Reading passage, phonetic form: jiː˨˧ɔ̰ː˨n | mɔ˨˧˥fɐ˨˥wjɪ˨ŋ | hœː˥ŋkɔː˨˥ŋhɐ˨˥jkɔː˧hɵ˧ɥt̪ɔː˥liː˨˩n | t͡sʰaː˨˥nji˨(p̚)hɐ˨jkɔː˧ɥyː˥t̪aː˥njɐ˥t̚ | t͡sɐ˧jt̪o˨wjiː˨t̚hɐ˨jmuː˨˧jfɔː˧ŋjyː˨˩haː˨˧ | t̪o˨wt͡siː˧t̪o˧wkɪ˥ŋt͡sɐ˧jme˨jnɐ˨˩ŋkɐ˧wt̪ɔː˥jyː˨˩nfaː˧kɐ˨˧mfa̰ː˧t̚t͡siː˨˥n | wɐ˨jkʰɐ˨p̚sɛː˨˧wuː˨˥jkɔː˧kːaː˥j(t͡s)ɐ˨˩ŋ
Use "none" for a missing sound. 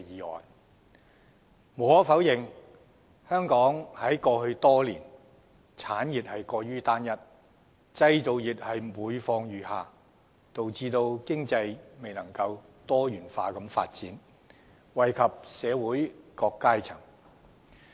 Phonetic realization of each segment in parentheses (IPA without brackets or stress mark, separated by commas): t̚, t͡sʰ